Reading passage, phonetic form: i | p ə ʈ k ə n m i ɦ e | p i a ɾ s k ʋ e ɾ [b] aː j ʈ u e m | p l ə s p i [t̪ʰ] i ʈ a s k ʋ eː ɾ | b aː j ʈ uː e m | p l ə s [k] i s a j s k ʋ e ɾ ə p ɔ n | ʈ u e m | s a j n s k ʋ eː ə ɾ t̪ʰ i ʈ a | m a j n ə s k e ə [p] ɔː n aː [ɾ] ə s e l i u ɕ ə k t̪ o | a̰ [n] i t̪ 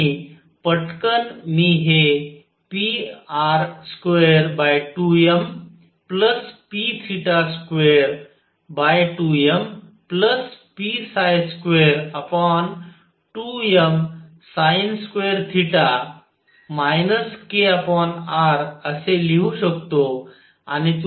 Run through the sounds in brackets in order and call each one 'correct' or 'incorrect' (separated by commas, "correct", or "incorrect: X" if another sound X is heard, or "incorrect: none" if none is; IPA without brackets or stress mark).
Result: correct, correct, incorrect: p, correct, correct, correct